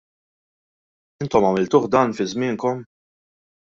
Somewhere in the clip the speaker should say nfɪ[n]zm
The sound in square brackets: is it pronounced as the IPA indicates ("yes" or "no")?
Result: no